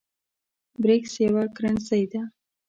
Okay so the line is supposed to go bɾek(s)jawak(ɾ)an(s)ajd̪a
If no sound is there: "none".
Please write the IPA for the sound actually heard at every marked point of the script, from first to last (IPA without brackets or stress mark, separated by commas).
s, ɾ, s